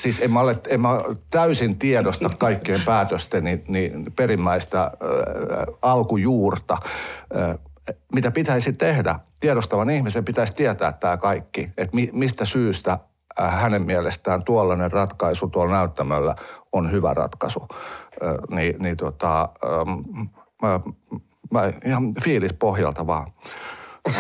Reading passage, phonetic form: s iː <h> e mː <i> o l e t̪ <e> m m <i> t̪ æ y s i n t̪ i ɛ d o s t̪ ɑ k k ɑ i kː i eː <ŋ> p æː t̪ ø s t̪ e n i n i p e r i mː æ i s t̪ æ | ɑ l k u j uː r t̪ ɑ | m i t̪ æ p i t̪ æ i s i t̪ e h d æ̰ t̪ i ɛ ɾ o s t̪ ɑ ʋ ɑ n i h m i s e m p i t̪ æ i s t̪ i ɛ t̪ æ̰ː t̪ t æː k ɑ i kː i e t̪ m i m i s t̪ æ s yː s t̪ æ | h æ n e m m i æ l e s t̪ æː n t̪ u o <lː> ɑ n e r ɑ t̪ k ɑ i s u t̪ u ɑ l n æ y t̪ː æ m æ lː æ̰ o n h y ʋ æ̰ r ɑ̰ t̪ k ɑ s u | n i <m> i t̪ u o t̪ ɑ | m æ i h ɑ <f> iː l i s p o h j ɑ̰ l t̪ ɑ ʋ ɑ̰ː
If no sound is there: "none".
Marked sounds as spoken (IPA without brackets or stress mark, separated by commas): s, æ, e, æ, m, lː, n, f